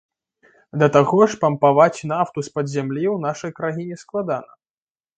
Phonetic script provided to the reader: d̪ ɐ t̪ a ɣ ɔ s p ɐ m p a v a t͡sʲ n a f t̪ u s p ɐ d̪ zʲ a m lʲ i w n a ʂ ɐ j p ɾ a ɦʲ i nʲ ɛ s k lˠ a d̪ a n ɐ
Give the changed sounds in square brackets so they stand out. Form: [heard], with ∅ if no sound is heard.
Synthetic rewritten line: d̪ ɐ t̪ a ɣ ɔ [ʂ] p ɐ m p a v a t͡sʲ n a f t̪ u s p ɐ d̪ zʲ a m lʲ i w n a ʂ ɐ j [k] ɾ a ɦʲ i nʲ ɛ s k lˠ a d̪ a n ɐ